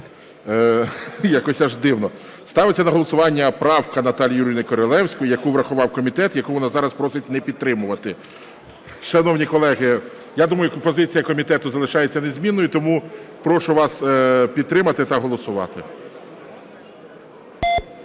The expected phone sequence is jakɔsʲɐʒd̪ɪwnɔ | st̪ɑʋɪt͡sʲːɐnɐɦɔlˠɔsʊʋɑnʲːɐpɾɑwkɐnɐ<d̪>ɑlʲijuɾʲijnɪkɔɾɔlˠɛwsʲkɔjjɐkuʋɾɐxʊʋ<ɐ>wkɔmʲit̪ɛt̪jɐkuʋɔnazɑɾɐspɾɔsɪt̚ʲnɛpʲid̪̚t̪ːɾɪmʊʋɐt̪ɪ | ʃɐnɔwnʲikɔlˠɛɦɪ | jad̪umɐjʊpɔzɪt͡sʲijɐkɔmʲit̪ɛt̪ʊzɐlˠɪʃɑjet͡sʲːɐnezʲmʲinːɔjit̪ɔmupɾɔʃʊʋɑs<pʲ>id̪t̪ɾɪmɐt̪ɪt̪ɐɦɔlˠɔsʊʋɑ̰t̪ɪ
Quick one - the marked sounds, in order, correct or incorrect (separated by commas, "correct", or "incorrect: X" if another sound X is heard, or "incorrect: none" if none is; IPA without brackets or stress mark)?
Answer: incorrect: t̪, incorrect: ɑ, correct